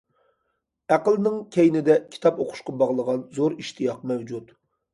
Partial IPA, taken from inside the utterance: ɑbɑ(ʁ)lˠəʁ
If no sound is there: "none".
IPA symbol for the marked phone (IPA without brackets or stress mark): ʁ